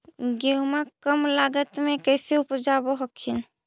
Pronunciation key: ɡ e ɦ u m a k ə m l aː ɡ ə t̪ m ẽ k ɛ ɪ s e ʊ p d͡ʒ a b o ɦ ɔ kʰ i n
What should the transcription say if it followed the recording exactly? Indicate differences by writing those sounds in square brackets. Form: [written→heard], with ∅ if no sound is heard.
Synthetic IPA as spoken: ɡ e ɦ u m a k ə m l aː ɡ ə t̪ m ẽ k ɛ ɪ s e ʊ p d͡ʒ a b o ɦ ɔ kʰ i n